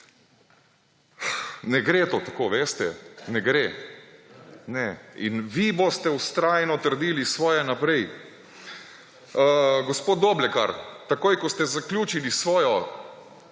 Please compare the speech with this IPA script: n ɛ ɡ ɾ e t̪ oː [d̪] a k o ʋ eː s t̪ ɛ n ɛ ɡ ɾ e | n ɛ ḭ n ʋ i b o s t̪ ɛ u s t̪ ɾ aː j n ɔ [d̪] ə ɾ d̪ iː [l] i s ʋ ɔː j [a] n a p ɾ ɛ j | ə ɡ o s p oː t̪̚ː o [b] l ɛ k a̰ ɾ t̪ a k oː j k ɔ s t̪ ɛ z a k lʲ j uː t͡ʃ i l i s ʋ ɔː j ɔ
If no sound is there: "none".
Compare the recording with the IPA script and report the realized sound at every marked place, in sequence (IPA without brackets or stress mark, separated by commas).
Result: t̪, t̪, l, ɛ, b